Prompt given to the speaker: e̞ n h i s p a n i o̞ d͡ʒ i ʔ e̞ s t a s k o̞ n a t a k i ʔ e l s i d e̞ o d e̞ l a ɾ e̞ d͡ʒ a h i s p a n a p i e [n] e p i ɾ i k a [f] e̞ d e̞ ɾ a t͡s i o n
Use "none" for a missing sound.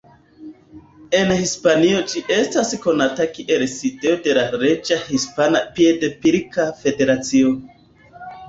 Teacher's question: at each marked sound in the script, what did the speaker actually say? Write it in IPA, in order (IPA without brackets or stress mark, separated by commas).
d, f